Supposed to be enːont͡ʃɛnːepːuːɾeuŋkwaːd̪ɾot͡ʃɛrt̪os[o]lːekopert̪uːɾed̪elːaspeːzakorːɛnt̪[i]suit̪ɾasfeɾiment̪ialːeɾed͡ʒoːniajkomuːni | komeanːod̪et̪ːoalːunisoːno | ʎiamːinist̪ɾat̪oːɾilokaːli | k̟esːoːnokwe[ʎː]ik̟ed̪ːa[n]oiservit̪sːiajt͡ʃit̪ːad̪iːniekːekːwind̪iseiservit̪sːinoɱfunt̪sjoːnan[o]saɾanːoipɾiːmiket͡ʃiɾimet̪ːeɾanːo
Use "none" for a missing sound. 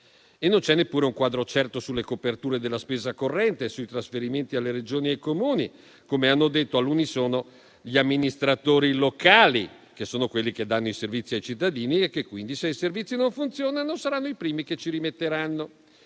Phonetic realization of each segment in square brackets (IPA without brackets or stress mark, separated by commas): u, e, lː, nː, o